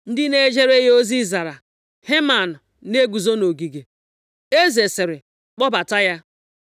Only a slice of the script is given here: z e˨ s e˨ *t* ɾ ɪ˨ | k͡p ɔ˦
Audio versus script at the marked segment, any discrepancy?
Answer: yes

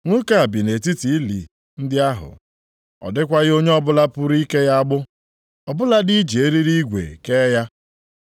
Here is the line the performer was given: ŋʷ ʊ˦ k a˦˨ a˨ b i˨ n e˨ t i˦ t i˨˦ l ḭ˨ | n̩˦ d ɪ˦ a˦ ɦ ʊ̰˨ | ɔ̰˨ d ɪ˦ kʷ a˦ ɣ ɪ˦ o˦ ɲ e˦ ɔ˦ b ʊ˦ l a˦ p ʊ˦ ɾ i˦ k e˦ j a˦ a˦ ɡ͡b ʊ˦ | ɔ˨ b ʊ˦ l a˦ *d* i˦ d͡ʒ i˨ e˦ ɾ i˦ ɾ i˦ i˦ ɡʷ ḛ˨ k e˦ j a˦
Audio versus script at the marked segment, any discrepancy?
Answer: no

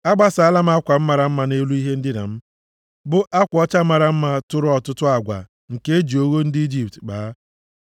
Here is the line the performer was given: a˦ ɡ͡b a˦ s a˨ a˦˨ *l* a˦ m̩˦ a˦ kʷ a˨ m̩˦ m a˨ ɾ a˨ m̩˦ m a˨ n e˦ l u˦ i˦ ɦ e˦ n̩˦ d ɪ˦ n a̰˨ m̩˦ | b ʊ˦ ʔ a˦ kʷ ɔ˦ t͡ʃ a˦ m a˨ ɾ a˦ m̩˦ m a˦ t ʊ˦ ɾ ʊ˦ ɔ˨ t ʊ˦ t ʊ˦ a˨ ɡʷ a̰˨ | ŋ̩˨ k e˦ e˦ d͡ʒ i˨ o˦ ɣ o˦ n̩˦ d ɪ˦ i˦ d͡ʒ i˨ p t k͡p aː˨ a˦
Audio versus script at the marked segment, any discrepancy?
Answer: no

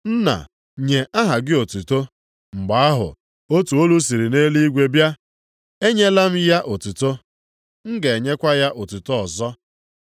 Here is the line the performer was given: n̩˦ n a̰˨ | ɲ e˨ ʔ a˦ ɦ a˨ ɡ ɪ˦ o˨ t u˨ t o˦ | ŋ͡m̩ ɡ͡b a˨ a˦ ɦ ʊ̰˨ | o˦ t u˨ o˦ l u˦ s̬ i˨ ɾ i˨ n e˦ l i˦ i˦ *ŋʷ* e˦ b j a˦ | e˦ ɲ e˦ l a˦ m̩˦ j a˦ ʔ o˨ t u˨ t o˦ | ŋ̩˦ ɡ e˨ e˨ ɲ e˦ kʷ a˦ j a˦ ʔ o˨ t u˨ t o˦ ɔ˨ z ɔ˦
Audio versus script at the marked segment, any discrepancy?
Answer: yes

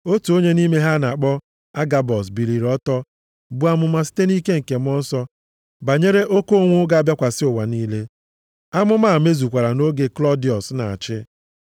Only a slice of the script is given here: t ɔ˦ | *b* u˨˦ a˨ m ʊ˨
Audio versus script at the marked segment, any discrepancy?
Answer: no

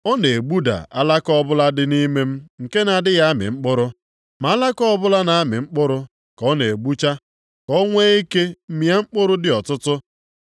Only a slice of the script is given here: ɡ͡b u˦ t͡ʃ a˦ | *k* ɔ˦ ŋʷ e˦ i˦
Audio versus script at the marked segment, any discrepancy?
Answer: no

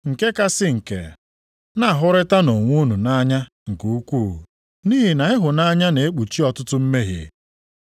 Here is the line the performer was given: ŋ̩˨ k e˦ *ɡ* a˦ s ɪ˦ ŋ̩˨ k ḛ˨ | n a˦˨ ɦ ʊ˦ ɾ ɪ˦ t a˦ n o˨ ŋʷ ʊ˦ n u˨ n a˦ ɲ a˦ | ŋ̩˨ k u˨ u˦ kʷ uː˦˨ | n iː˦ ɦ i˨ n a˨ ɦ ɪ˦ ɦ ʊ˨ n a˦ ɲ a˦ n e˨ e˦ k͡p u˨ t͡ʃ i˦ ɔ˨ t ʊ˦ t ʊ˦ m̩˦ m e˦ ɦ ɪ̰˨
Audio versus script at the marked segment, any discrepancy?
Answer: yes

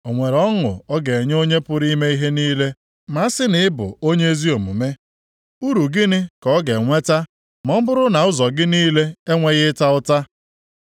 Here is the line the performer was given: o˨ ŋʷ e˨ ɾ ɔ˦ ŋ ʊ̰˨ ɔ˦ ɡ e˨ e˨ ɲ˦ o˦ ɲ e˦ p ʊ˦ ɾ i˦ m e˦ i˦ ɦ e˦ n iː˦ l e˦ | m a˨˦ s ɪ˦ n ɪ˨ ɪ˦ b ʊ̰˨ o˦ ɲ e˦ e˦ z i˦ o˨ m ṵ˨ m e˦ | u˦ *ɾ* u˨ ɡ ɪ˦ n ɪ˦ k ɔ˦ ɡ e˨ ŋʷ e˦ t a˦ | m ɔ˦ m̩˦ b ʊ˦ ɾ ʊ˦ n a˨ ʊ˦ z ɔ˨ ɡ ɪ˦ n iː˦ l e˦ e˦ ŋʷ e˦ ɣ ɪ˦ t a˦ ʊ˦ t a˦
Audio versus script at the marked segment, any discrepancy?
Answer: no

